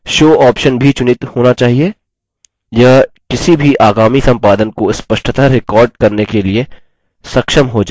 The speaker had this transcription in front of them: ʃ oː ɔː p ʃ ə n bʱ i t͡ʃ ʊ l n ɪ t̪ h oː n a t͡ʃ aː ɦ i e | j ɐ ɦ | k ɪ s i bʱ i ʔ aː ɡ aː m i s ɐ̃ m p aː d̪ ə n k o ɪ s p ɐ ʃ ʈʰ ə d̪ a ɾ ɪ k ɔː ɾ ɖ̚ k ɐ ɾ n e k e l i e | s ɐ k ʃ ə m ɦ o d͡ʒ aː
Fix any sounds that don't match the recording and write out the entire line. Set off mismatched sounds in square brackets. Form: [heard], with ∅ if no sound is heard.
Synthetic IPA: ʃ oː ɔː p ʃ ə n bʱ i t͡ʃ ʊ [∅] n ɪ t̪ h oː n a t͡ʃ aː ɦ i e | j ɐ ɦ | k ɪ s i bʱ i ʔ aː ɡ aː m i s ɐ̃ m p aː d̪ ə n k o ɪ s p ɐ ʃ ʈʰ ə [t̪] a ɾ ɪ k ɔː ɾ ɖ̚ k ɐ ɾ n e k e l i e | s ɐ k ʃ ə m ɦ o d͡ʒ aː